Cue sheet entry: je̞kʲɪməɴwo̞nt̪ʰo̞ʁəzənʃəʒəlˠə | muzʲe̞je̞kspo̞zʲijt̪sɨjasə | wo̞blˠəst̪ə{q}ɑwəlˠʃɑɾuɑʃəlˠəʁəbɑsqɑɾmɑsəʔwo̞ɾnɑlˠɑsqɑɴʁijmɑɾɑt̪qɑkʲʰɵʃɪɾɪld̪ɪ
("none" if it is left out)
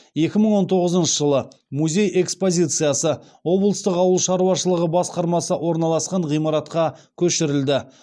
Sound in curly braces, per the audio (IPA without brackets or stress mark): q